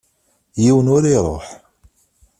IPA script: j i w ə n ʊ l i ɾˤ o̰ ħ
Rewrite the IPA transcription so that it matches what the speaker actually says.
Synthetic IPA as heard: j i w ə n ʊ ɾ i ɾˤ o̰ ħ